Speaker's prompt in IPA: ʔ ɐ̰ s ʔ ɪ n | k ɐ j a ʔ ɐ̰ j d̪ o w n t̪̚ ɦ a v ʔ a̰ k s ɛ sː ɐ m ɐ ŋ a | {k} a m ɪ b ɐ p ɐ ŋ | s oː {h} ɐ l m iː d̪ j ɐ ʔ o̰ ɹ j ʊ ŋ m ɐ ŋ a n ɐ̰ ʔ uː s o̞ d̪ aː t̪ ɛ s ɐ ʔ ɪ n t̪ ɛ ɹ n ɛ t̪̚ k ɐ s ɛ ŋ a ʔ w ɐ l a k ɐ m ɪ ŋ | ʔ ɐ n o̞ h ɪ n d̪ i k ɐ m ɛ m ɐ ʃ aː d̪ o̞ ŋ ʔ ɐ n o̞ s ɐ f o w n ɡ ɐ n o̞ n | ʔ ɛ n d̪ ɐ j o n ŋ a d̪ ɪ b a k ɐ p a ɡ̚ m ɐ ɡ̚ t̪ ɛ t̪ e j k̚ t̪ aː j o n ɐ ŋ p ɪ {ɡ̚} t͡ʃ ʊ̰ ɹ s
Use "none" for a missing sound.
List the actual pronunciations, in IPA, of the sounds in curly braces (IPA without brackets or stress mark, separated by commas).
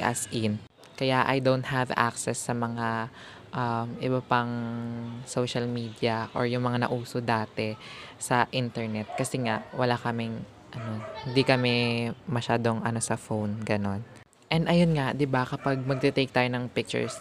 ʔ, ʃ, k̚